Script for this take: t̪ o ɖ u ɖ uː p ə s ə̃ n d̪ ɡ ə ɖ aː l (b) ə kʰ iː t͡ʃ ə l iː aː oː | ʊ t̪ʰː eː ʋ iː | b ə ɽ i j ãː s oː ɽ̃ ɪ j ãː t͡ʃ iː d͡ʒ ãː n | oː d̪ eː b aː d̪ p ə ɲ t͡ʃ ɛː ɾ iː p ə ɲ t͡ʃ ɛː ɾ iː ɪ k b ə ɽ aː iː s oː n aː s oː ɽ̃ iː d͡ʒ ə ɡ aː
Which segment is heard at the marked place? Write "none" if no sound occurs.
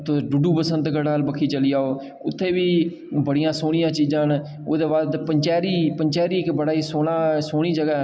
b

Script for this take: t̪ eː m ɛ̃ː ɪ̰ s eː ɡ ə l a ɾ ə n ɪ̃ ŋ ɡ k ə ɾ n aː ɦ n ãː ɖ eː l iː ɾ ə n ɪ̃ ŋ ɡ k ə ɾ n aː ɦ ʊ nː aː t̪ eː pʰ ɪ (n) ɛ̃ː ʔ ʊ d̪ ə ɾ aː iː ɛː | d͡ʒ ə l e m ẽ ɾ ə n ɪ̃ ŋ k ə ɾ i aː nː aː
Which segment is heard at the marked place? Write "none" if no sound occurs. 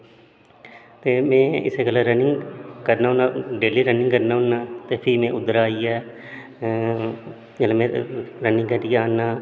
m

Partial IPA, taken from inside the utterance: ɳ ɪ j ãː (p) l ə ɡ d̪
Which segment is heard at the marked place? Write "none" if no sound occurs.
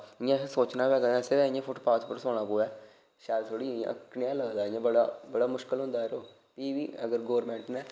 none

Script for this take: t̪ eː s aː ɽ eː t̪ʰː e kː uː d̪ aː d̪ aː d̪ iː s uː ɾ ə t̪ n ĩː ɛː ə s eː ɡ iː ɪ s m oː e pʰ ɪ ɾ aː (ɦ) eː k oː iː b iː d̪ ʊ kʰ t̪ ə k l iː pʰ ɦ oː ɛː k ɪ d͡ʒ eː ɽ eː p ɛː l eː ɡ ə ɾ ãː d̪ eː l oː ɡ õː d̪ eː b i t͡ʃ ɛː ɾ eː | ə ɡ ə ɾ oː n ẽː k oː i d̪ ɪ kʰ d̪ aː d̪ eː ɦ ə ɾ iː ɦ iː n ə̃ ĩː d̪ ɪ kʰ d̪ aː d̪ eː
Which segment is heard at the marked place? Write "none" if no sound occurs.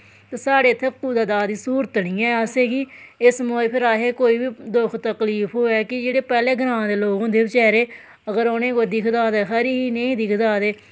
ɦ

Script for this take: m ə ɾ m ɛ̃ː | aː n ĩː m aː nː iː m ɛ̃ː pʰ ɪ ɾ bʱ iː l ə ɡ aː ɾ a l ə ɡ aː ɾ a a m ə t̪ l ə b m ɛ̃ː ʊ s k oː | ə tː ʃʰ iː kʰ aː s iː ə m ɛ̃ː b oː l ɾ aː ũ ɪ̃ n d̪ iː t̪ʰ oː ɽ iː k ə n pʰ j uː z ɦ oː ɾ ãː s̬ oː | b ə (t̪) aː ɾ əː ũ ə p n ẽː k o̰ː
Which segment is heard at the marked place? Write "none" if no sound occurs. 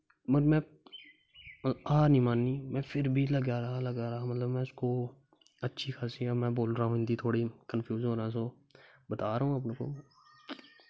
t̪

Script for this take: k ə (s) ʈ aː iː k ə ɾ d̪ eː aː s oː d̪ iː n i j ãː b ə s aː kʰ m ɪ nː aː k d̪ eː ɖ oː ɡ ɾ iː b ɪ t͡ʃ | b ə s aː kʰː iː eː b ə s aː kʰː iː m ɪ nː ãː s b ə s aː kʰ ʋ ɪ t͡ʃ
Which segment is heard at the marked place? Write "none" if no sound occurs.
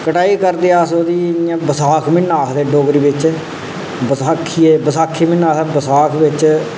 none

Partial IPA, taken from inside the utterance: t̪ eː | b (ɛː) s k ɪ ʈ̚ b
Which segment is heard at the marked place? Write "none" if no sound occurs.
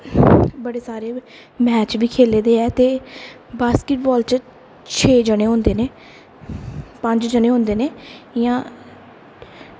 aː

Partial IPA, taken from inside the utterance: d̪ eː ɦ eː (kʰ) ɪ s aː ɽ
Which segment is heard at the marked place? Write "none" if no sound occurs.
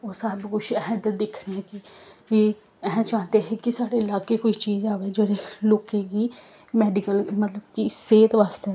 k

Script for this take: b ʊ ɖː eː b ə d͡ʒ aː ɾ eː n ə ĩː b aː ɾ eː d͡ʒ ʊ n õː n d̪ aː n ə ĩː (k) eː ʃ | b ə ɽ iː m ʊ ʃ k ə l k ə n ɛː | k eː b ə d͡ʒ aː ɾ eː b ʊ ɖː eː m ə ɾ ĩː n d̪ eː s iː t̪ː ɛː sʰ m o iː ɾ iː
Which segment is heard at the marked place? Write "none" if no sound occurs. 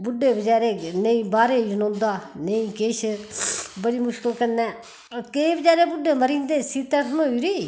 k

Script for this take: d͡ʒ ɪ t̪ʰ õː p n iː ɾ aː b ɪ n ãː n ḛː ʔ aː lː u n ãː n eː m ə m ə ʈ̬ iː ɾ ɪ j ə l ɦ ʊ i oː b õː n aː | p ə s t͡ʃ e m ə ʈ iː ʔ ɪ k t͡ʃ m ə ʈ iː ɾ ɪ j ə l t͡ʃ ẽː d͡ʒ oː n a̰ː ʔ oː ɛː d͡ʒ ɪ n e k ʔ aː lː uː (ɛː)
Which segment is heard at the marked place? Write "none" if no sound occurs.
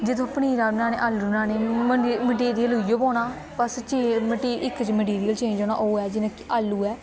ɛː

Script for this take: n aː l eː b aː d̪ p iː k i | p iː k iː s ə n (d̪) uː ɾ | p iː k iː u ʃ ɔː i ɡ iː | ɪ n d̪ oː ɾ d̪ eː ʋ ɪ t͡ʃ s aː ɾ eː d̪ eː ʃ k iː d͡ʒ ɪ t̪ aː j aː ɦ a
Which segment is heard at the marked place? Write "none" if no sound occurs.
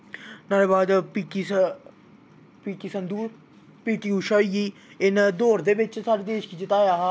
d̪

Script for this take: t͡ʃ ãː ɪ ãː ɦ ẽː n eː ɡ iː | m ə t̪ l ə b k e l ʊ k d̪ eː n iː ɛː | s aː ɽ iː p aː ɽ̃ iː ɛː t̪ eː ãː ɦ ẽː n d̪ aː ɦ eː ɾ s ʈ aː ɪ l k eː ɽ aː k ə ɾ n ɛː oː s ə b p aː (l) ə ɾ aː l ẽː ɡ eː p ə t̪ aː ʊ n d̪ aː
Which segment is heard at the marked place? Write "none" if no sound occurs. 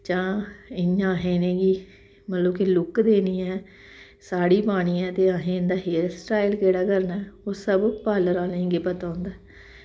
l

